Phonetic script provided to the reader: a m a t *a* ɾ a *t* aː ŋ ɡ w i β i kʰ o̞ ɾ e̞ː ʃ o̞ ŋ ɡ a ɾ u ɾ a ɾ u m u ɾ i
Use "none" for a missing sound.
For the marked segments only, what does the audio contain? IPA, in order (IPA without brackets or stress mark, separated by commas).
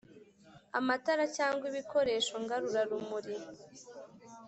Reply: a, c